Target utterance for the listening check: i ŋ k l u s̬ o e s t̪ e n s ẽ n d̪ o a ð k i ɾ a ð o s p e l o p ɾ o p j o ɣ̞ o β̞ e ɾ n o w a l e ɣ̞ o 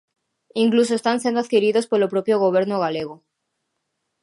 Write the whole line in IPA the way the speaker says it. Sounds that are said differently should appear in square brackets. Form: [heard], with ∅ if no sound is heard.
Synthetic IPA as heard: i ŋ k l u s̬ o e s t̪ [a] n s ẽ n d̪ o a ð k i ɾ [i] ð o s p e l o p ɾ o p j o ɣ̞ o β̞ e ɾ n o [ɣ] a l e ɣ̞ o